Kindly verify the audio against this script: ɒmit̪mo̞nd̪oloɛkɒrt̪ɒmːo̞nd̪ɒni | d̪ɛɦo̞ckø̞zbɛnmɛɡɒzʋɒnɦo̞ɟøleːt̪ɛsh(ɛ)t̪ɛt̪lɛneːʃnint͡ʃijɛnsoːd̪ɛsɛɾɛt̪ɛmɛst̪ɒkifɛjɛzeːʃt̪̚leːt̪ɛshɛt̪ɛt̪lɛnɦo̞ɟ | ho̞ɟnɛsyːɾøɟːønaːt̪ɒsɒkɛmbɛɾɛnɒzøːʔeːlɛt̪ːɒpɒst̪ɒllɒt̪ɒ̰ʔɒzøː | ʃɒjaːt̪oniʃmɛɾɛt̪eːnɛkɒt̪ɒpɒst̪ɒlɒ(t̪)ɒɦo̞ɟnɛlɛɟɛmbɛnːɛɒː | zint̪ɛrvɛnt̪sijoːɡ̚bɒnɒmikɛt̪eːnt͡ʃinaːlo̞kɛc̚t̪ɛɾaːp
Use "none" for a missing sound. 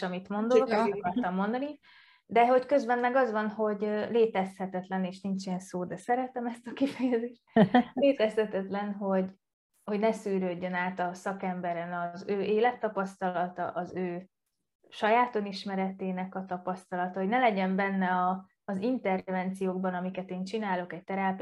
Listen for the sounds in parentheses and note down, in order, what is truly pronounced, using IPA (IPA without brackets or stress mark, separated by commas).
ɛ, t̪